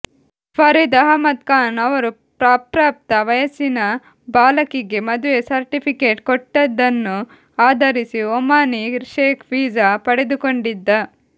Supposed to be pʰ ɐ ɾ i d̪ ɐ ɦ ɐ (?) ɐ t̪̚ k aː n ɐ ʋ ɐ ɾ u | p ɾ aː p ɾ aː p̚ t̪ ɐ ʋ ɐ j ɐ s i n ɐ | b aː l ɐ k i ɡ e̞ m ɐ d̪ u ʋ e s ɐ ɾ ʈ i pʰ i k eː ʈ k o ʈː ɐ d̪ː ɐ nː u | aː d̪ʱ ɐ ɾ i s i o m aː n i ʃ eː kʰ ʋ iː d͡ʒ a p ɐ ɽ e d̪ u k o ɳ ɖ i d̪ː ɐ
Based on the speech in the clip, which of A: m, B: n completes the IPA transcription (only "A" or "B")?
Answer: A